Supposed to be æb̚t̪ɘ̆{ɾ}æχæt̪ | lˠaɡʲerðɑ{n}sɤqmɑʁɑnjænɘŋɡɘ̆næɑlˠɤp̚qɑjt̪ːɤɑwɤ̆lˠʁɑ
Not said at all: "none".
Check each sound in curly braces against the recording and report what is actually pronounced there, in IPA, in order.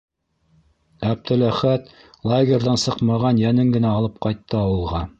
l, n

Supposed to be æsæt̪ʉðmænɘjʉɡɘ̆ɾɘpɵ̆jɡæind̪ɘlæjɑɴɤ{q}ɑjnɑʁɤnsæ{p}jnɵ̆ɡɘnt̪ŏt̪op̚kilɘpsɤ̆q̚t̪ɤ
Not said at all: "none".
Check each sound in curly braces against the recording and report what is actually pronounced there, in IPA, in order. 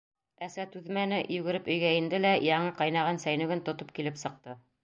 q, none

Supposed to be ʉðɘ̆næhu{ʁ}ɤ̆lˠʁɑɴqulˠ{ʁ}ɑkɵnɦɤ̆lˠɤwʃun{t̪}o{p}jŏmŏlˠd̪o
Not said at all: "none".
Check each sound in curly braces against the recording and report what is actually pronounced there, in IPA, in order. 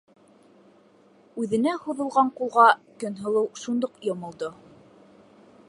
ð, ʁ, d̪, q

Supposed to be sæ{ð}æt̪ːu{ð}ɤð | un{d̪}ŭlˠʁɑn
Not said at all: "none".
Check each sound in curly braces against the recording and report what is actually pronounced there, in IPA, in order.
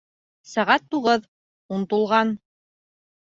ʁ, ʁ, t̪

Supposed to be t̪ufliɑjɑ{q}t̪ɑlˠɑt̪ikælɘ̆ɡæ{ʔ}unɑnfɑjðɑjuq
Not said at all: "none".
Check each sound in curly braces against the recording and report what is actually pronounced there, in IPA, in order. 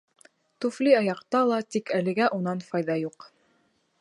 q, ʔ

